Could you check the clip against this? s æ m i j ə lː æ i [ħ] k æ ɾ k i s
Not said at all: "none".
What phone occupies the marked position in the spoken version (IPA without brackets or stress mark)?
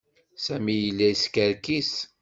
s